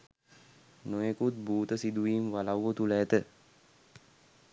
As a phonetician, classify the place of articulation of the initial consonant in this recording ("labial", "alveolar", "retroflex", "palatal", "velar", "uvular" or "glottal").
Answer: alveolar